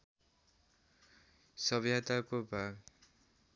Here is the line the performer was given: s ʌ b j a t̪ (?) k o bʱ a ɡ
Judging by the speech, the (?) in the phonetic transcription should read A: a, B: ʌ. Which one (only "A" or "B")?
A